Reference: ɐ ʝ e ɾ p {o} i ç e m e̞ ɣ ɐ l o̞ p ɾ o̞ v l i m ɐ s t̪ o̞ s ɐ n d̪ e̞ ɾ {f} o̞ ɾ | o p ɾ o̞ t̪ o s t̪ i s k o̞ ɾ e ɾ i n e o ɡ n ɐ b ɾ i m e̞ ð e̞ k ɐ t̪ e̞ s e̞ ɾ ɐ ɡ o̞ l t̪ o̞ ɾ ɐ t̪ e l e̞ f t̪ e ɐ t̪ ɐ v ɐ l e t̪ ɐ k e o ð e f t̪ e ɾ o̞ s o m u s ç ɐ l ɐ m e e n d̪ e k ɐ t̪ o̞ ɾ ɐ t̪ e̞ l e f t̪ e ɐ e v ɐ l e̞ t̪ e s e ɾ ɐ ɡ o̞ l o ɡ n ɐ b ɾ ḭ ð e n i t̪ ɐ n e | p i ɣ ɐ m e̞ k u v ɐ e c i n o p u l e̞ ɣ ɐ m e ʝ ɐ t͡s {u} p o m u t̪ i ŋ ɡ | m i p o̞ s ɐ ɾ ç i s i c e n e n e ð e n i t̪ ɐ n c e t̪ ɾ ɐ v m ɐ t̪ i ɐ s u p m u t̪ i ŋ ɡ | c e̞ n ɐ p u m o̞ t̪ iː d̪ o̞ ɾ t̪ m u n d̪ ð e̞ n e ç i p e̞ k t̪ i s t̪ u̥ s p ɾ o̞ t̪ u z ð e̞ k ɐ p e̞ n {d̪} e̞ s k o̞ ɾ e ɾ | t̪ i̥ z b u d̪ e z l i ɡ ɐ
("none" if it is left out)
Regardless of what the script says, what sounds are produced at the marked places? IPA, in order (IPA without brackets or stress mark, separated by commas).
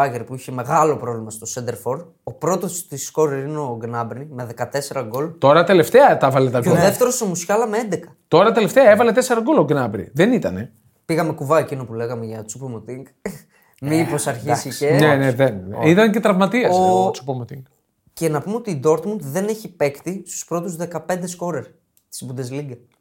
u, f, u, d̪